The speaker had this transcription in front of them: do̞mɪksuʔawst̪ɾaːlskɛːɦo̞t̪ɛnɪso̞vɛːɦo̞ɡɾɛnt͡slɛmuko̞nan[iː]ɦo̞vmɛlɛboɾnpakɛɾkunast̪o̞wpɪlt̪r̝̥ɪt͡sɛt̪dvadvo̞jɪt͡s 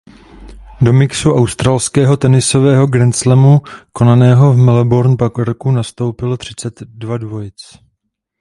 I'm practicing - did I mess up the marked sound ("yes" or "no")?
yes